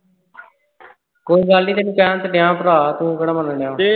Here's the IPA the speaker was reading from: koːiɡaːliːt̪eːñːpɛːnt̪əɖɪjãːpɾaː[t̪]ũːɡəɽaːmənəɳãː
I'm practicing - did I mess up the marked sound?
no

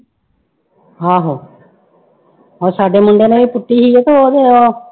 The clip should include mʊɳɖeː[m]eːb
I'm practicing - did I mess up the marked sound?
yes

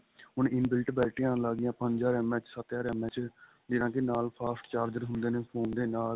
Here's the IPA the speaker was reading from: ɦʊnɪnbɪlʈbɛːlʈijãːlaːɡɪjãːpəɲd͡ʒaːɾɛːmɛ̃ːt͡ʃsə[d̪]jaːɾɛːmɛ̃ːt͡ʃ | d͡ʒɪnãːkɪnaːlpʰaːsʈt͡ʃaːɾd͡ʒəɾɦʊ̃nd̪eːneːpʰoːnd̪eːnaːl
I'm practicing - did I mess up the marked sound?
yes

